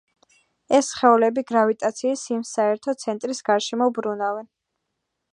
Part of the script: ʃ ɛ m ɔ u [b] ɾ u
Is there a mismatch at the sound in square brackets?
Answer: no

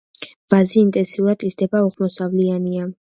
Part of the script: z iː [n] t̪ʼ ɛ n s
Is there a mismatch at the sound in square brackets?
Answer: no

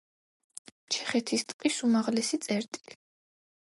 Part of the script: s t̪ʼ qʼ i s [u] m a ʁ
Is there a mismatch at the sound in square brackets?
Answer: no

